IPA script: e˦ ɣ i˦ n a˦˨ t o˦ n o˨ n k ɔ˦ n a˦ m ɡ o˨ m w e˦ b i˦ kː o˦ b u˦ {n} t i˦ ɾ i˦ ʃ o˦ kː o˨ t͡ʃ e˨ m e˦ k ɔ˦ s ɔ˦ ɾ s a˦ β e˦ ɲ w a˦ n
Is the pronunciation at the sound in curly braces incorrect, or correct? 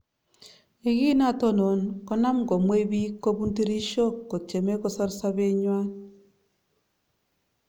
correct